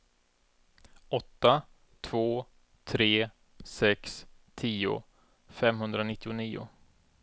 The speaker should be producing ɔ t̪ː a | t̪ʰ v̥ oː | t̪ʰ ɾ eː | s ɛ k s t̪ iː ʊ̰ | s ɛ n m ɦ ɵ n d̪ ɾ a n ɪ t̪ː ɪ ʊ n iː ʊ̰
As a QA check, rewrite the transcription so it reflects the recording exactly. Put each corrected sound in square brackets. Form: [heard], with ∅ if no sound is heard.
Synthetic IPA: ɔ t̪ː a | t̪ʰ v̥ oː | t̪ʰ ɾ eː | s ɛ k s [t̪ʰ] iː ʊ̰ | [f] ɛ [∅] m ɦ ɵ n d̪ ɾ a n ɪ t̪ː ɪ ʊ n iː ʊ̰